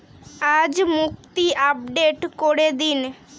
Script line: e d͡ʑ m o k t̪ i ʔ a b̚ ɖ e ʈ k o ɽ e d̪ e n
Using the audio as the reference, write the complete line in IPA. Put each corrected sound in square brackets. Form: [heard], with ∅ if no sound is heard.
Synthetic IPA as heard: [a] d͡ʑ m [u] k t̪ i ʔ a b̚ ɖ e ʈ k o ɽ e d̪ [i] n